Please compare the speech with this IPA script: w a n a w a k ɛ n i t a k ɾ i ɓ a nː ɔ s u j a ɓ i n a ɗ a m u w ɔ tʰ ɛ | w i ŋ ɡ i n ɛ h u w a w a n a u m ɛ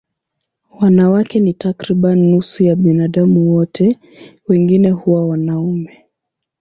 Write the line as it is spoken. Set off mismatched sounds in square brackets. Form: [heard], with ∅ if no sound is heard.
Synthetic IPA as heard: w a n a w a k ɛ n i t a k ɾ i ɓ a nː [u] s u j a ɓ i n a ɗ a m u w ɔ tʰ ɛ | w [ɛ] ŋ ɡ i n ɛ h u w a w a n a u m ɛ